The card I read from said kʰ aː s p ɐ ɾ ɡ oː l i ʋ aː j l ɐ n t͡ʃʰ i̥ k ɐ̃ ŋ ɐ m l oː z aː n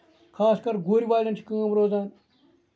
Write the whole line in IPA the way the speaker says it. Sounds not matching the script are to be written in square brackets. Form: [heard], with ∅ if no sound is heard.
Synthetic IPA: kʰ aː s [k] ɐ ɾ ɡ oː [ɾ] i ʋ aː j l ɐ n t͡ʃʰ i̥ k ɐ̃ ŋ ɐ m [ɾ] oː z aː n